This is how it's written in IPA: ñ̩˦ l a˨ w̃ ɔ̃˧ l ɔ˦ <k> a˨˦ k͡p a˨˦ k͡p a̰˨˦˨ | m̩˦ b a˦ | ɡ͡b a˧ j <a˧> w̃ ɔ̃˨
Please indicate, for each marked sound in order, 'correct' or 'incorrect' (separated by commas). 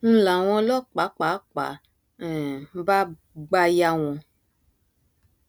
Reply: incorrect, correct